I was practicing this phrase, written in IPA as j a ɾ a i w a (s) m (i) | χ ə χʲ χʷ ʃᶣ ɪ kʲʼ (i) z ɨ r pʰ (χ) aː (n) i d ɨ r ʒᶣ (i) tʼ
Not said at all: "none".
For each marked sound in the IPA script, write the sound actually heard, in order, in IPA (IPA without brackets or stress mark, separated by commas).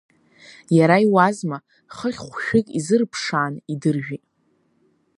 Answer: z, a, i, ʂ, n, i